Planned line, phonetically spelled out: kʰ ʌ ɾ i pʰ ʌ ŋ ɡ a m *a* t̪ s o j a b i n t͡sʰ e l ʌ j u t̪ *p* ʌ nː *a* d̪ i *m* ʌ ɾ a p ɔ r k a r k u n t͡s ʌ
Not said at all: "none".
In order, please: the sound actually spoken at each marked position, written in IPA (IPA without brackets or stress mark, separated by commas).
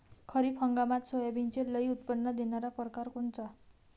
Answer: a, p, ʌ, n